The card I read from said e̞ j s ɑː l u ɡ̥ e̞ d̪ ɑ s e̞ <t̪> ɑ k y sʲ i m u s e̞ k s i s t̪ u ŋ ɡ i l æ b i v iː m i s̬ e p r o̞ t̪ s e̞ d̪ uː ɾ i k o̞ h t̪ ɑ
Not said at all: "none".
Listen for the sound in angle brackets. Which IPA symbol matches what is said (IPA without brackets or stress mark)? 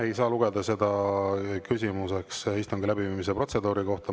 d̪